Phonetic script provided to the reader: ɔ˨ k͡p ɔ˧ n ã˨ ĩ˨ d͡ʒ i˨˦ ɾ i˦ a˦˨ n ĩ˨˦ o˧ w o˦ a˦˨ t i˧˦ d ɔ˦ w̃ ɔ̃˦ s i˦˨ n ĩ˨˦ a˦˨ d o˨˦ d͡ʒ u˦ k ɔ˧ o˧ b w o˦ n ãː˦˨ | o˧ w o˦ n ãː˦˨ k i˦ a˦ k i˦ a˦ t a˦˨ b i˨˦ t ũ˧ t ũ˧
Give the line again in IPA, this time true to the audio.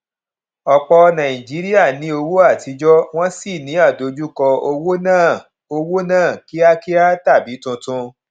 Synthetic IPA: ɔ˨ k͡p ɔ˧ n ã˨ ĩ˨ d͡ʒ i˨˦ ɾ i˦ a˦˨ n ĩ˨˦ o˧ w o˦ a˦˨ t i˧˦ d͡ʒ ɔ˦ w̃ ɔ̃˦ s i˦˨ n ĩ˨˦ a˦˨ d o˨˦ d͡ʒ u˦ k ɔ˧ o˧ w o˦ n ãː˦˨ | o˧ w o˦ n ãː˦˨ k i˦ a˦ k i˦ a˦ t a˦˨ b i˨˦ t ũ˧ t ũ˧